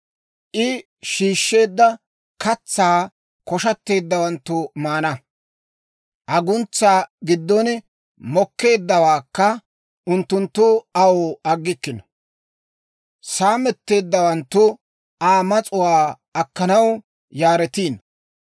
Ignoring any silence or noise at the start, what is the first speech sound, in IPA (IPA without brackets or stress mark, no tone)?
ʔ